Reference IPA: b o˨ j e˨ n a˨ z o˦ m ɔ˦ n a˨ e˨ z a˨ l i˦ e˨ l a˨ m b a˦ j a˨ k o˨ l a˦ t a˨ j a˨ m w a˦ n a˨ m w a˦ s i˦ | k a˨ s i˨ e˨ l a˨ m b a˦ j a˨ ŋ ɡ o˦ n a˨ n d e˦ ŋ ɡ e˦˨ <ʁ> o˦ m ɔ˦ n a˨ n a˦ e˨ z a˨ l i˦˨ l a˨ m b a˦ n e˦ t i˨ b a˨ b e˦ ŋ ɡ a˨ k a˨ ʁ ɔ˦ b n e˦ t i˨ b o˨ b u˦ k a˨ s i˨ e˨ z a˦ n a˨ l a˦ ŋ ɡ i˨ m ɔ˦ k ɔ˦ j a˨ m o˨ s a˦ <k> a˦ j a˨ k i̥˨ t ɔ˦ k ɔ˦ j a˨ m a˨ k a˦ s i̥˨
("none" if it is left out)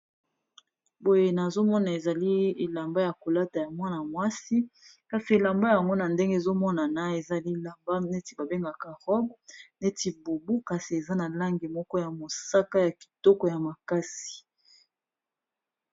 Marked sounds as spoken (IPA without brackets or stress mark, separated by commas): z, k